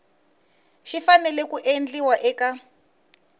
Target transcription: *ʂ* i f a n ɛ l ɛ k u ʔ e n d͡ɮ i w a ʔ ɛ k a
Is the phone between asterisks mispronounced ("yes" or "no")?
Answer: yes